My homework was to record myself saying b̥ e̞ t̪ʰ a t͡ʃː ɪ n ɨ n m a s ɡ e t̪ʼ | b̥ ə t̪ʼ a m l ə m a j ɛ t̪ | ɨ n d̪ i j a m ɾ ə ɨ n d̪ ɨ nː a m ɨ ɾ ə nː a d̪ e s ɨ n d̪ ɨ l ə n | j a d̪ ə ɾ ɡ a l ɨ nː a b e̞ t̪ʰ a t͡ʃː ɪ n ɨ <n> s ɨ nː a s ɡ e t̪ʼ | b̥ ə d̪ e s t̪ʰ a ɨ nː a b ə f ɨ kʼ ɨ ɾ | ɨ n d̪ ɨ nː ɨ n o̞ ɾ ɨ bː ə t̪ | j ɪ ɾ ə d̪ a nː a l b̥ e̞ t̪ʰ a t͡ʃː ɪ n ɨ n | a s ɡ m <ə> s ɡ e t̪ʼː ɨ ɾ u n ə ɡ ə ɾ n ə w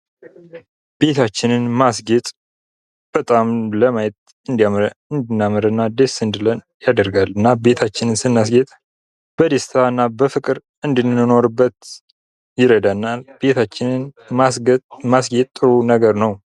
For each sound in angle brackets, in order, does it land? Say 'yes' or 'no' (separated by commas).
yes, no